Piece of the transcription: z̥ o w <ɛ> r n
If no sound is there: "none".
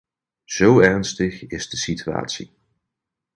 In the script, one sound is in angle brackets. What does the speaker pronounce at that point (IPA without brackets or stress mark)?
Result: ɛ